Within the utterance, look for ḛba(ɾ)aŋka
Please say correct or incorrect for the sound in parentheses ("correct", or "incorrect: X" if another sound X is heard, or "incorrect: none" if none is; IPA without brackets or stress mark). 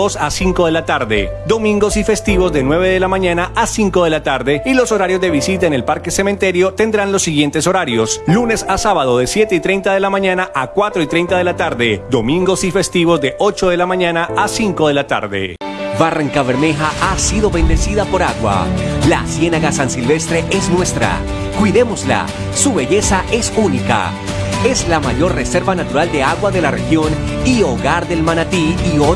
incorrect: r